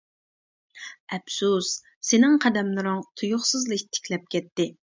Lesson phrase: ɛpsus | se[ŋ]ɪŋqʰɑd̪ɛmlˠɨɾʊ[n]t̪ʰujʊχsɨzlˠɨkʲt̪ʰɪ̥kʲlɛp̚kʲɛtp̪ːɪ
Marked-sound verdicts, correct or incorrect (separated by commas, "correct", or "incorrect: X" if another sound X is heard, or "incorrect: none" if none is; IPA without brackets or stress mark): incorrect: n, incorrect: ŋ